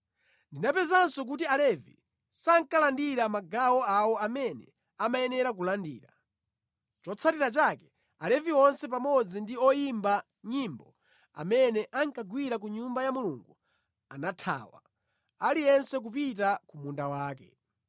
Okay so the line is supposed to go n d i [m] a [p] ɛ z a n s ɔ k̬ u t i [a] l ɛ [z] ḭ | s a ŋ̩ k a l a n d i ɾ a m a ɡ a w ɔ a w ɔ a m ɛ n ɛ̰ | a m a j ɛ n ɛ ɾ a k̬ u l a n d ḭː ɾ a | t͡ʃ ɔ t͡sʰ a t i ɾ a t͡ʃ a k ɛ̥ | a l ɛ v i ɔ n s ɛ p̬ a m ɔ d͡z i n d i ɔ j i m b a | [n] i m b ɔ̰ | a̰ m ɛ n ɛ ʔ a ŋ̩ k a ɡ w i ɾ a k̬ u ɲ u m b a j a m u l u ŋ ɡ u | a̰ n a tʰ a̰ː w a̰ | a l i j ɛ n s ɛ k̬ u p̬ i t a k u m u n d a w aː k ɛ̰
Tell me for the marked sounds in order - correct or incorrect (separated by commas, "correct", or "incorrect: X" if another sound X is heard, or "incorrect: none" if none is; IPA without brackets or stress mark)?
incorrect: n, correct, correct, incorrect: v, incorrect: ɲ